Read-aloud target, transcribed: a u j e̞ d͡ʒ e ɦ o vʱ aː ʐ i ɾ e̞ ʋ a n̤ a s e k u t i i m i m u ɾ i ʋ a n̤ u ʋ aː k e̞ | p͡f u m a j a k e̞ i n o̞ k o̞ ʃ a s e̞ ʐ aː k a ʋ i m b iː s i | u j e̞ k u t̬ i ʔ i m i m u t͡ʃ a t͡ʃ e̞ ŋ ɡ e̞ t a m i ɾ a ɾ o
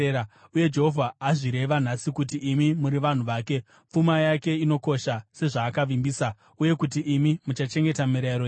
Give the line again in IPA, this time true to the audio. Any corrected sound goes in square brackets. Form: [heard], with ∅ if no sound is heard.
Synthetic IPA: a u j e̞ d͡ʒ e ɦ o vʱ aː ʐ i ɾ e̞ ʋ a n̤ a s [i] k u t i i m i m u ɾ i ʋ a n̤ u ʋ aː k e̞ | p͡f u m a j a k e̞ i n o̞ k o̞ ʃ a s e̞ ʐ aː k a ʋ i m b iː s [a] | u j e̞ k u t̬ i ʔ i m i m u t͡ʃ a t͡ʃ e̞ ŋ ɡ e̞ t a m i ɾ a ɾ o